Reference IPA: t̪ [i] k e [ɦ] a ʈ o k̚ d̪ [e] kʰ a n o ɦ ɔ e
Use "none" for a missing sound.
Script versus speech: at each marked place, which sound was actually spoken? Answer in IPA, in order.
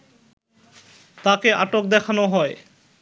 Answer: a, none, ɛ

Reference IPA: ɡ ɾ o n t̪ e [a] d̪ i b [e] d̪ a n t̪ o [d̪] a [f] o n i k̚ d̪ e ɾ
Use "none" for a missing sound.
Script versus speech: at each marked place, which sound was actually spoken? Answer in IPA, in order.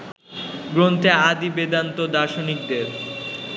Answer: a, e, d̪, ʃ

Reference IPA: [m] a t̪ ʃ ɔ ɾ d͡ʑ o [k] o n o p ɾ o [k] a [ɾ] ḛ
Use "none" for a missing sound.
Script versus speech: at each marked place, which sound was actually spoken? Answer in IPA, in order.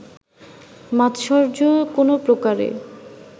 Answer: m, k, k, ɾ

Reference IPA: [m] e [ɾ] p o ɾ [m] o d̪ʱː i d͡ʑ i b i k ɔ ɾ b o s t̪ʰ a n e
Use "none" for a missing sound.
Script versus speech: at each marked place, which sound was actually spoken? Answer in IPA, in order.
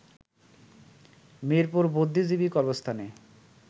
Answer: m, ɾ, b

